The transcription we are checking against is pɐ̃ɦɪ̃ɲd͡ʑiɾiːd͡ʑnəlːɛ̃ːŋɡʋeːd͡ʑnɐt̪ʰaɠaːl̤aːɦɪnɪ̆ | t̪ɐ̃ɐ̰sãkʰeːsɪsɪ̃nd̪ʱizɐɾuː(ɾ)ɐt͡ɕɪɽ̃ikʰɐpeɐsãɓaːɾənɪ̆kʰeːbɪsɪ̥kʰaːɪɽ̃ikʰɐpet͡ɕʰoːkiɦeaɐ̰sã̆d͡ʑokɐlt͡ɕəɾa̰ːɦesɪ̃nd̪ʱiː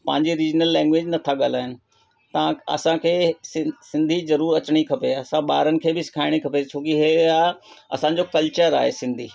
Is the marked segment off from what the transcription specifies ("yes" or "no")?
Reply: no